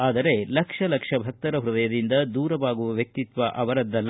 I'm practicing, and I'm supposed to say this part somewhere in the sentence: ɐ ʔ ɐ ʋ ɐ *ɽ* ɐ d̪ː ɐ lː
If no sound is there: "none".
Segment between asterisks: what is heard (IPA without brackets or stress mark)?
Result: ɾ